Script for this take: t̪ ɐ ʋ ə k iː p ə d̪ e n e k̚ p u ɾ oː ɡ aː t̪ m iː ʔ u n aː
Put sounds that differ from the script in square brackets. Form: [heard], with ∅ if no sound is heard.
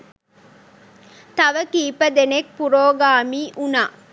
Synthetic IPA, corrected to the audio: t̪ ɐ ʋ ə k iː p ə d̪ e n e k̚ p u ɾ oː ɡ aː [∅] m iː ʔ u n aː